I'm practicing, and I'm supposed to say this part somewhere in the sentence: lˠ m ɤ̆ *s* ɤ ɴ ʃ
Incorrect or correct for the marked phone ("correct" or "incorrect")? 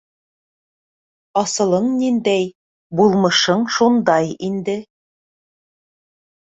incorrect